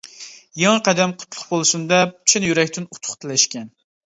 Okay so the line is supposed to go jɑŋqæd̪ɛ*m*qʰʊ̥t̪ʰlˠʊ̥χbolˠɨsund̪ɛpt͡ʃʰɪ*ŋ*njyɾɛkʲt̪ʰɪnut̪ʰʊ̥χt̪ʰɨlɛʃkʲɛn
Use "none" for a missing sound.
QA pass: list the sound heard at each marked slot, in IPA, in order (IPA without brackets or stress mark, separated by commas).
m, none